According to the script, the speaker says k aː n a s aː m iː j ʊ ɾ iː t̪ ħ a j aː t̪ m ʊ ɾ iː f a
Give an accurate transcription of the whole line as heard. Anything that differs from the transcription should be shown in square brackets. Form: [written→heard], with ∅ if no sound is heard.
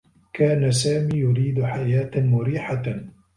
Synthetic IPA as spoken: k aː n a s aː m iː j ʊ ɾ iː [t̪→d̪] ħ a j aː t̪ m ʊ ɾ iː [f→ħ] a